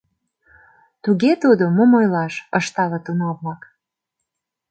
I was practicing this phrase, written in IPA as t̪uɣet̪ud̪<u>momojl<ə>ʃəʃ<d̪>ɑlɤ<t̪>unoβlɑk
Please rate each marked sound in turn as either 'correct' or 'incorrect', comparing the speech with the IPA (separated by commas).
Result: incorrect, incorrect, incorrect, correct